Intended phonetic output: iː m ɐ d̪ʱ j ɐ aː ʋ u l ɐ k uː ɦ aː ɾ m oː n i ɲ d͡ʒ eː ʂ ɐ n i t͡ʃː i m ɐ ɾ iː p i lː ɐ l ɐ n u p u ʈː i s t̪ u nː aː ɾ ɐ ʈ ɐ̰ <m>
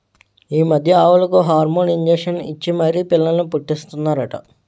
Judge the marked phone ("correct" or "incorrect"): incorrect